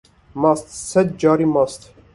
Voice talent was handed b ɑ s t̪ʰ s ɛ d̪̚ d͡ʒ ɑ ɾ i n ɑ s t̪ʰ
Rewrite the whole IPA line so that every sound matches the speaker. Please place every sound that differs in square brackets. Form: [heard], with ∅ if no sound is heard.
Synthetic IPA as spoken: [m] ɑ s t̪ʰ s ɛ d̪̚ d͡ʒ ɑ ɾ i [m] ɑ s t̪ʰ